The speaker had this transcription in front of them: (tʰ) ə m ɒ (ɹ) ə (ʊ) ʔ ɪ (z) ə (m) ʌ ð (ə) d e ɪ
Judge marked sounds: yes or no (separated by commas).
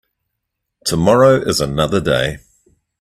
yes, yes, yes, yes, no, yes